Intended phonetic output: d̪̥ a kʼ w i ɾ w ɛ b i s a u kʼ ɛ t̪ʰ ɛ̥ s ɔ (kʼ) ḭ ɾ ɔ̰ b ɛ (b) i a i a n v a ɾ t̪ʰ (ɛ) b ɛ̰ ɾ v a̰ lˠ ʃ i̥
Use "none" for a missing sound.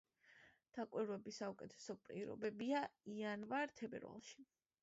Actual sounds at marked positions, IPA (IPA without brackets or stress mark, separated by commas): pʼ, b, ɛ